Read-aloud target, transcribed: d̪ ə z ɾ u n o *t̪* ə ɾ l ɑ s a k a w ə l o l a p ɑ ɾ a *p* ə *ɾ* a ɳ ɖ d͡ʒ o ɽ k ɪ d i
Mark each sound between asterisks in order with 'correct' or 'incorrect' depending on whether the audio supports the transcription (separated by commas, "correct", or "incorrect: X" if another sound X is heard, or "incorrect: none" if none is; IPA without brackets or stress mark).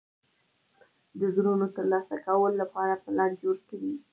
correct, correct, incorrect: l